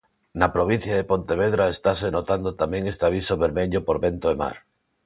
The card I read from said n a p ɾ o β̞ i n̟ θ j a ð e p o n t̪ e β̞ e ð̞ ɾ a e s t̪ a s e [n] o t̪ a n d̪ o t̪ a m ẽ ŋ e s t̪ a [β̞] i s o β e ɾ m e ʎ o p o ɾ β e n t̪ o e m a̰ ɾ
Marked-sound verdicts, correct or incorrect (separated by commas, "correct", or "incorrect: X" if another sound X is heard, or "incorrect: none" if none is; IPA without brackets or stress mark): correct, correct